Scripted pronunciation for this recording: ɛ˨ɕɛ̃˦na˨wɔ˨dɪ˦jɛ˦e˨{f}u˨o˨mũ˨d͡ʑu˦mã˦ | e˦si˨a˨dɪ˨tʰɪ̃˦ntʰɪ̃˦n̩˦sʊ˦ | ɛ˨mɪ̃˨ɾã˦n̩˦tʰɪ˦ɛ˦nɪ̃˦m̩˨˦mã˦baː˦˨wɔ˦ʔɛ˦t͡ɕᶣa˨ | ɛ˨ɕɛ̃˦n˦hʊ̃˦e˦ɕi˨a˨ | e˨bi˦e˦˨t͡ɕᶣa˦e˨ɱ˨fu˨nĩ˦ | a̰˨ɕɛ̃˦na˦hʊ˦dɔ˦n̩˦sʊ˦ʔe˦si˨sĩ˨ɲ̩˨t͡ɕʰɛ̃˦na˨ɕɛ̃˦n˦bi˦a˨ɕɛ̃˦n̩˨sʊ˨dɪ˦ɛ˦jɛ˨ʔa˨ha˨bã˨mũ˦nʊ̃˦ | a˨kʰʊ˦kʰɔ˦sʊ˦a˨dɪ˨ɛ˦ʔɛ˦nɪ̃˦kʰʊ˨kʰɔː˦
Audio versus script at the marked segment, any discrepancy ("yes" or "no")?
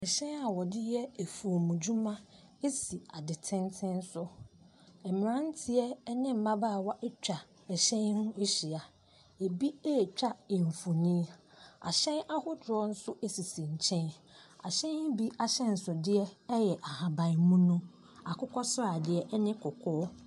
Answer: no